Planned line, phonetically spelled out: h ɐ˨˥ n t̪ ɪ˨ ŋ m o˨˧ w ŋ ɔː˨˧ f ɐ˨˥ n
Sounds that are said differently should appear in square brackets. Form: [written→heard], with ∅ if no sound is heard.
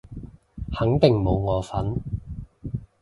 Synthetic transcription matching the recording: h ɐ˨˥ [n→ŋ] t̪ ɪ˨ ŋ m o˨˧ w ŋ ɔː˨˧ f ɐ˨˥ n